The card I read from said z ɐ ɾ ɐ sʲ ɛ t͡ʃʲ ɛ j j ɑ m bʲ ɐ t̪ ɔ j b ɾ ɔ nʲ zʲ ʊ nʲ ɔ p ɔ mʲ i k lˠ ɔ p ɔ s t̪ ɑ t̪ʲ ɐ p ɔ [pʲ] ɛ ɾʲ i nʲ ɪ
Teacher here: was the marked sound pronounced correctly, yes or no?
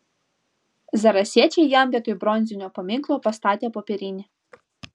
yes